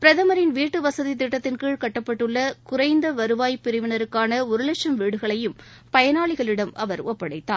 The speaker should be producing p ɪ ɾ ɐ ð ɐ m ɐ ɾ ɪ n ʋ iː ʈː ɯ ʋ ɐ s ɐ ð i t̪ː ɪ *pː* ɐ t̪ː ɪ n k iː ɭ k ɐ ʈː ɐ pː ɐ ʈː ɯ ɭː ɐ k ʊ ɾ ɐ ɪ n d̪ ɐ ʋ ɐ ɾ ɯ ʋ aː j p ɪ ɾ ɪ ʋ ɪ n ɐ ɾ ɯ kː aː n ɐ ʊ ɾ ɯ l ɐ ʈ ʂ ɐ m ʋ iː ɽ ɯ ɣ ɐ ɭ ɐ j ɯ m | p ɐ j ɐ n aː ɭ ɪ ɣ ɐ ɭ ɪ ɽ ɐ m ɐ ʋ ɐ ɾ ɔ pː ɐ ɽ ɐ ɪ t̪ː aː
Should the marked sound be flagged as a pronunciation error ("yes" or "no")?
yes